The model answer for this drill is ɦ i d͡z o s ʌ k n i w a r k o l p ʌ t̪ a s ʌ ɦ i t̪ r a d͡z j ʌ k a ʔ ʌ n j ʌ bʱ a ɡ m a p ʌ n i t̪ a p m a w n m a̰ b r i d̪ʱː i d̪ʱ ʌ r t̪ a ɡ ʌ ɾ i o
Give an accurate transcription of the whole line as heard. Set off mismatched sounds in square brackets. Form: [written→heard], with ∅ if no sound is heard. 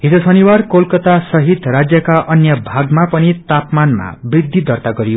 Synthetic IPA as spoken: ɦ i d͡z o s ʌ [k→∅] n i w a r k o l [p→k] ʌ t̪ a s ʌ ɦ i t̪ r a d͡z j ʌ k a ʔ ʌ n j ʌ bʱ a ɡ m a p ʌ n i t̪ a p m a [w→∅] n m a̰ b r i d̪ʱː i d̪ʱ ʌ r t̪ a ɡ ʌ ɾ i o